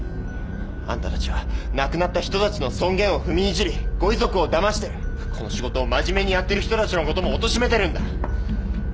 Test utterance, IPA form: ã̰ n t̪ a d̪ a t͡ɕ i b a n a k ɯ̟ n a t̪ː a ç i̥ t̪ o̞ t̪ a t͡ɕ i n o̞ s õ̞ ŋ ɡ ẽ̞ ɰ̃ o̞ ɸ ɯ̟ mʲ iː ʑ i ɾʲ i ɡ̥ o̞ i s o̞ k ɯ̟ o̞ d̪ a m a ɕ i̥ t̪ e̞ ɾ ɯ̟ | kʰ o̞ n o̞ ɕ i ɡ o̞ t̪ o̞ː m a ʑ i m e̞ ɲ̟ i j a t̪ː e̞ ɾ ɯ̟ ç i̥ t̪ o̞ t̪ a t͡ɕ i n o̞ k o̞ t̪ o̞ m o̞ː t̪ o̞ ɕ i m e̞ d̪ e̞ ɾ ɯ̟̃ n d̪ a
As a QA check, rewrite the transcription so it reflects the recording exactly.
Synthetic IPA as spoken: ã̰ n t̪ a t̪ a t͡ɕ i β a n a k ɯ̟ n a t̪ː a ç i̥ t̪ o̞ t̪ a t͡ɕ i n o̞ s õ̞ ŋ ɡ ẽ̞ ɰ̃ o̞ ɸ ɯ̟ mʲ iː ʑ i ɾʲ i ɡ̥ o̞ i z o̞ k ɯ̟ o̞ d̪ a m a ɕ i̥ t̪ e̞ ɾ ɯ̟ | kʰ o̞ n o̞ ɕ i ɡ o̞ t̪ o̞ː m a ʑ i m e̞ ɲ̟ i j a t̪ː e̞ ɾ ɯ̟ ç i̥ t̪ o̞ t̪ a t͡ɕ i n o̞ k o̞ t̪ o̞ m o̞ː t̪ o̞ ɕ i m e̞ t̪ e̞ ɾ ɯ̟̃ n d̪ a